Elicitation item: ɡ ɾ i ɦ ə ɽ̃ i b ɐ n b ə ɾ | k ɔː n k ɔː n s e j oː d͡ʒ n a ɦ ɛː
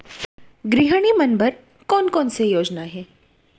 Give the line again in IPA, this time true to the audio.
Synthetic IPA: ɡ ɾ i ɦ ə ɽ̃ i m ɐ n b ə ɾ | k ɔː n k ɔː n s e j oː d͡ʒ n a ɦ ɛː